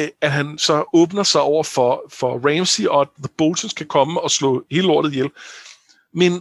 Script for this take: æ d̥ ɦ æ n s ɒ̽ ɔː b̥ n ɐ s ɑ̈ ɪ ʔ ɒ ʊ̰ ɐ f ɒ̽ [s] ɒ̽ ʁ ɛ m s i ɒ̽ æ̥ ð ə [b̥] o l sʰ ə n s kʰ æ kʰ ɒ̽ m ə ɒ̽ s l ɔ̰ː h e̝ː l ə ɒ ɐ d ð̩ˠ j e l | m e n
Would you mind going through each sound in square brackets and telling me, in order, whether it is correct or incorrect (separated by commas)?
incorrect, correct